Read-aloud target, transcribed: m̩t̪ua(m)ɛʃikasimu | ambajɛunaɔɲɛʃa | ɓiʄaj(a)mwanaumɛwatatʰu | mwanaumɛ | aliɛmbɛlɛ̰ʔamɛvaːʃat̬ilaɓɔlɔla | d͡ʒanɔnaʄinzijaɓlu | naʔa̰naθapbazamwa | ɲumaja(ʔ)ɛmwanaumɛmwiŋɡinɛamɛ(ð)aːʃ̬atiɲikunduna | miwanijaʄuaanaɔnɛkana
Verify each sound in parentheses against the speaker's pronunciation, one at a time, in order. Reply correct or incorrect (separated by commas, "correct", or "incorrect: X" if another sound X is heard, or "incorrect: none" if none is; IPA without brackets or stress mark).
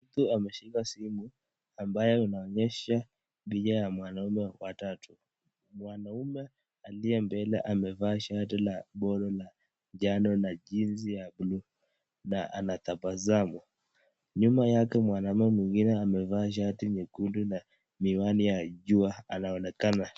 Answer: correct, correct, incorrect: k, incorrect: v